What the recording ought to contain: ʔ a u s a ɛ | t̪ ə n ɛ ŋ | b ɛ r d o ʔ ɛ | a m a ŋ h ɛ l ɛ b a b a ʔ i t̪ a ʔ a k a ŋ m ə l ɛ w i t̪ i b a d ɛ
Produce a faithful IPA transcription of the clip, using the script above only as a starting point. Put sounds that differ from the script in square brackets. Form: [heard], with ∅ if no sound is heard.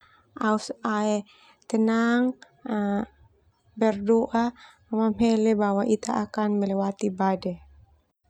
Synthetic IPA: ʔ a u s a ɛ | t̪ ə n [a] ŋ | b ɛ r d o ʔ [a] | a m a [m] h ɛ l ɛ b a [w] a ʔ i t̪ a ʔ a k a [n] m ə l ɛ w [a] t̪ i b a d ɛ